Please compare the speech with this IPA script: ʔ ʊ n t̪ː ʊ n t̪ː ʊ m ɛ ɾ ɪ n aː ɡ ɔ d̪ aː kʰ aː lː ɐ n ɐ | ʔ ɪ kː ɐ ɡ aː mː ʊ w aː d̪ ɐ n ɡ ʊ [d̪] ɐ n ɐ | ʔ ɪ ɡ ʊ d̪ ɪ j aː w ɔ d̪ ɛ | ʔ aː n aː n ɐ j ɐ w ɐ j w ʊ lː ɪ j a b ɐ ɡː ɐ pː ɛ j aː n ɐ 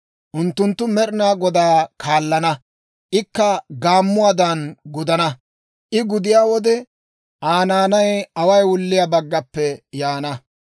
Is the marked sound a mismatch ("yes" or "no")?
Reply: no